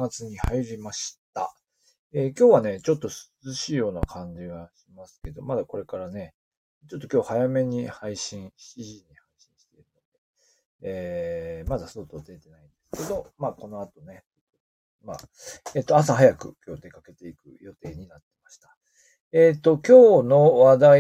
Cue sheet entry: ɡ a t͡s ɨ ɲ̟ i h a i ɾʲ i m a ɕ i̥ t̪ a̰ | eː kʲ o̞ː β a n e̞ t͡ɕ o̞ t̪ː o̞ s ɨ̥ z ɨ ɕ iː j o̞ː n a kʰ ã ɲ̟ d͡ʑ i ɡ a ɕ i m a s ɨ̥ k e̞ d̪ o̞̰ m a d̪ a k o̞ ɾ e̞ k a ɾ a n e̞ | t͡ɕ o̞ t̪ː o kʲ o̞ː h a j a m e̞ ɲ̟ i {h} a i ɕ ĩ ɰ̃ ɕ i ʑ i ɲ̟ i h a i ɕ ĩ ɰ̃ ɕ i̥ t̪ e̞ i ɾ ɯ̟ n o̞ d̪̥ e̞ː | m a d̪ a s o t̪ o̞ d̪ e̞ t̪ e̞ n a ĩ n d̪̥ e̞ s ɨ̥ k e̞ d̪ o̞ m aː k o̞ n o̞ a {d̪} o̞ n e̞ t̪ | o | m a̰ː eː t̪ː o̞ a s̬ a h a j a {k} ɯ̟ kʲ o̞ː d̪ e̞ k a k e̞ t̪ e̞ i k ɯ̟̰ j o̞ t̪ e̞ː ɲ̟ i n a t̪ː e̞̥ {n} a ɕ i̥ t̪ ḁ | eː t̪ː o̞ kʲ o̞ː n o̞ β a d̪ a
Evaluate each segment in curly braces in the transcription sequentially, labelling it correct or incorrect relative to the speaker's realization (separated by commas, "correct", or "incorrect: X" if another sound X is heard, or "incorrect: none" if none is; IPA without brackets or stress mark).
correct, incorrect: t̪, correct, incorrect: m